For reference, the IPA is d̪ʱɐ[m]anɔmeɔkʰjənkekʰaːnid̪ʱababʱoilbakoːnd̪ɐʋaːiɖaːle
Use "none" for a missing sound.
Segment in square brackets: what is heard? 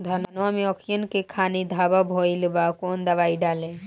n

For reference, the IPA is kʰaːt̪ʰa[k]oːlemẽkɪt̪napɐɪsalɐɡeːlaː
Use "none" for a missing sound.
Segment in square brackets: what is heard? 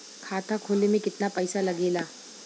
kʰ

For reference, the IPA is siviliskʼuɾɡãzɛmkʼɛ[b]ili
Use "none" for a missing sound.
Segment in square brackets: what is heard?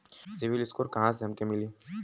m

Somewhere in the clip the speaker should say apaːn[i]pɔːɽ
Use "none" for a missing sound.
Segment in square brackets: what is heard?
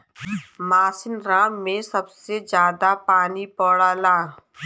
i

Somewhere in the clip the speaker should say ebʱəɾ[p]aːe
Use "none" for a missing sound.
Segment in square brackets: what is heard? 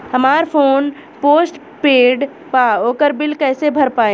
p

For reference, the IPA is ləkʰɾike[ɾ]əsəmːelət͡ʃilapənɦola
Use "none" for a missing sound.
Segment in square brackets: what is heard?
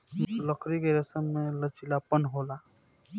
ɾ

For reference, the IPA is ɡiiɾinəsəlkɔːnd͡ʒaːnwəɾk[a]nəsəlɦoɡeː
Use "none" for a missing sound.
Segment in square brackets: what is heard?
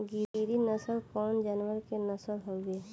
e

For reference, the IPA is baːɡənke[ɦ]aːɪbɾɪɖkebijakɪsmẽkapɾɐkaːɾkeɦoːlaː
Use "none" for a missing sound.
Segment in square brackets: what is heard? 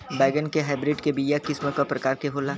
ɦ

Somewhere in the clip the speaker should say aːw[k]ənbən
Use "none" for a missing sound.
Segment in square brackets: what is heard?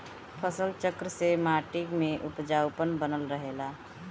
p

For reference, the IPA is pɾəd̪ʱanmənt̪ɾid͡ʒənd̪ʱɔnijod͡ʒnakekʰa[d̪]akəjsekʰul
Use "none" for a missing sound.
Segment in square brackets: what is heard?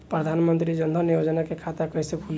t̪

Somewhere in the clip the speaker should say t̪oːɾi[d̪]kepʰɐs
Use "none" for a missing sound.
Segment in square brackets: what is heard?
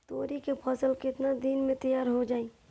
none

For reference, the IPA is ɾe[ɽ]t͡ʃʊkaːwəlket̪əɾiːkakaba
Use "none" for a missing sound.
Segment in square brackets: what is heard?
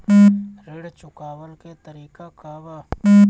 ɽ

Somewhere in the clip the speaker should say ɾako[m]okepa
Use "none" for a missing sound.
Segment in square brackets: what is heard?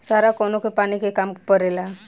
n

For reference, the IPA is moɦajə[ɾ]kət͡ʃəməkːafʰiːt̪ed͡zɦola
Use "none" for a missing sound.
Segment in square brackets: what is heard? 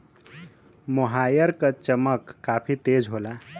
ɾ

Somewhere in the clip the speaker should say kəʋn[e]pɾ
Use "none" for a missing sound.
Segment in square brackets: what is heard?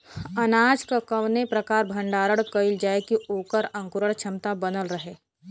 e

